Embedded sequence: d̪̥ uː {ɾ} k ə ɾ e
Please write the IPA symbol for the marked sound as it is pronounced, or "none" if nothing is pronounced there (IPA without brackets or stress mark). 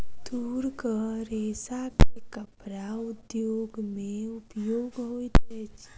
ɾ